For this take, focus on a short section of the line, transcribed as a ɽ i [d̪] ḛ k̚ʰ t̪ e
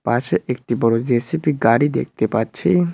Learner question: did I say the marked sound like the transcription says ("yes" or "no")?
yes